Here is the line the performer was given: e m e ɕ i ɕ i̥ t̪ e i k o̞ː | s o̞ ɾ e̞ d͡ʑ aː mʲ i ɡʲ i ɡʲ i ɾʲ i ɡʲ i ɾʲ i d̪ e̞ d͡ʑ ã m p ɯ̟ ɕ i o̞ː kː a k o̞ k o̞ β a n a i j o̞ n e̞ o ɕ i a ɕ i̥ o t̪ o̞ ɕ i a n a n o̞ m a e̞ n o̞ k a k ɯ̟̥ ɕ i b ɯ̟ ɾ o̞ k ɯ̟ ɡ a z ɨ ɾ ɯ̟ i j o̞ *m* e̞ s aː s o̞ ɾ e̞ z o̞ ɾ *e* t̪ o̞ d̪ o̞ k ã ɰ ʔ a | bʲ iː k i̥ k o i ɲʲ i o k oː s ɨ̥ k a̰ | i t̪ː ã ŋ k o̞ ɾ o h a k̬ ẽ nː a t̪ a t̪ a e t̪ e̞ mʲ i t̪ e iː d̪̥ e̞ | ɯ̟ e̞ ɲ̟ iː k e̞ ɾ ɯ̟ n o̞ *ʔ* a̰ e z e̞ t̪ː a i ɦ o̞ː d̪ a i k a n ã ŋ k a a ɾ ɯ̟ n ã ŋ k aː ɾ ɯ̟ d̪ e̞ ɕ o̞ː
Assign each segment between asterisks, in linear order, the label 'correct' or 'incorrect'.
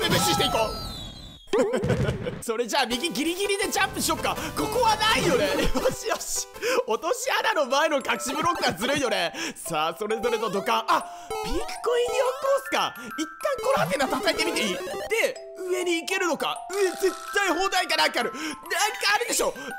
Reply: incorrect, correct, incorrect

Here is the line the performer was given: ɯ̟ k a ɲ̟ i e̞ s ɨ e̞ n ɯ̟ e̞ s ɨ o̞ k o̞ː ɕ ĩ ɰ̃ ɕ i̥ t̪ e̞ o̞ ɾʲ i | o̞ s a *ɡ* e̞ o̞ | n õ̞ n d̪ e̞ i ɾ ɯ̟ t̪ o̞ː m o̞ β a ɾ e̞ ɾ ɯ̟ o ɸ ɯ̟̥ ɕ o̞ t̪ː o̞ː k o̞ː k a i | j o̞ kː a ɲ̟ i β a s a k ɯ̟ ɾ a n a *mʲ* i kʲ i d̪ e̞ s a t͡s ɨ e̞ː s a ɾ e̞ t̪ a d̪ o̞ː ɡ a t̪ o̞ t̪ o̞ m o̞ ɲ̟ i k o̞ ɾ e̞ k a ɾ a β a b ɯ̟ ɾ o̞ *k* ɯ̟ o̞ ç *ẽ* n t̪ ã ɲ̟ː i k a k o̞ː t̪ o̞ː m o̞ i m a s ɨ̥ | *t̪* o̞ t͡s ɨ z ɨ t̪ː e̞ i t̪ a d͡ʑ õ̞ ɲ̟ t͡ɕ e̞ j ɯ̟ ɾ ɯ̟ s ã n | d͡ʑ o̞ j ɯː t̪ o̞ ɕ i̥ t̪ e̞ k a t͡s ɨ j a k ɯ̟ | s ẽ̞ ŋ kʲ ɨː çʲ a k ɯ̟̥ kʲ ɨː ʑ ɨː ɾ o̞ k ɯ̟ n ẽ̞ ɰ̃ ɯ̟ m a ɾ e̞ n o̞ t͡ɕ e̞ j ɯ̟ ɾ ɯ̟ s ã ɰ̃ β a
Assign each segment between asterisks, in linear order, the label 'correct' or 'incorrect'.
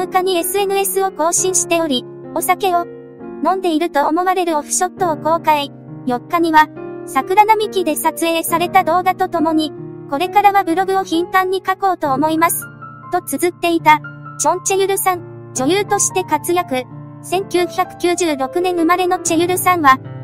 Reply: incorrect, correct, incorrect, incorrect, correct

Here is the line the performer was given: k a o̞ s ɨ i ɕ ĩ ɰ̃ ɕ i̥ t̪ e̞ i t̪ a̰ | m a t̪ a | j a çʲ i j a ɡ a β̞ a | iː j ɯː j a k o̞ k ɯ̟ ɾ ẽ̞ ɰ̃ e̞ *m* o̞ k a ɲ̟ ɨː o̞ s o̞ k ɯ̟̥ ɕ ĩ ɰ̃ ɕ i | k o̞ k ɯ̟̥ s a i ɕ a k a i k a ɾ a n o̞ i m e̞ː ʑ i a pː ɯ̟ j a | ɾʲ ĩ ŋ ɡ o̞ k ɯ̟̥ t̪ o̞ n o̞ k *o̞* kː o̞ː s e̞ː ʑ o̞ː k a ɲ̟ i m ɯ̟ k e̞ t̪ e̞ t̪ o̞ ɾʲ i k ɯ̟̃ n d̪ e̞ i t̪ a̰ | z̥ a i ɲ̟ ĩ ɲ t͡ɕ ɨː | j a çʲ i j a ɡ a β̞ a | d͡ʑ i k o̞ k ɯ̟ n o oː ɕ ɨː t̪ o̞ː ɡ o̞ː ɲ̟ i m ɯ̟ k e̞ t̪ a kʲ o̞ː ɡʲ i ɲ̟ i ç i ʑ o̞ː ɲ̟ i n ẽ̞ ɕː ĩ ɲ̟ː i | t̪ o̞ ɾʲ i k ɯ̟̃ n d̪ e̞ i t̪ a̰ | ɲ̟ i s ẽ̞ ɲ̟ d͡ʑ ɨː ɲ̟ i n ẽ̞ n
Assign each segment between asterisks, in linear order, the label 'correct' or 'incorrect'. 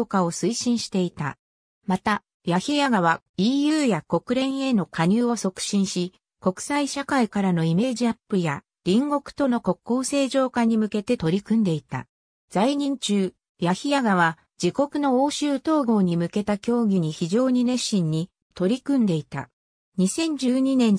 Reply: incorrect, correct

